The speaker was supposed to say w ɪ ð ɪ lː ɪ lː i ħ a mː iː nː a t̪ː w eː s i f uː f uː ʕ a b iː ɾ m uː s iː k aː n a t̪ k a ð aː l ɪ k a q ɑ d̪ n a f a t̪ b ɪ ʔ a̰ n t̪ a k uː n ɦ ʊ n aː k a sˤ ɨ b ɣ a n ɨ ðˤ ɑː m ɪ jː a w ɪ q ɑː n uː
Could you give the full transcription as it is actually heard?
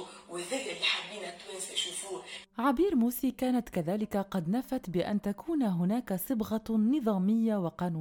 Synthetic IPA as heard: w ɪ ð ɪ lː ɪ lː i ħ a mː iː n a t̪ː w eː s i ʃ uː f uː ʕ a b iː ɾ m uː s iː k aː n a t̪ k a ð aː l ɪ k a q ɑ d̪ n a f a t̪ b ɪ ʔ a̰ n t̪ a k uː n ɦ ʊ n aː k a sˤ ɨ b ɣ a n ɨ ðˤ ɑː m ɪ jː a w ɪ q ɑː n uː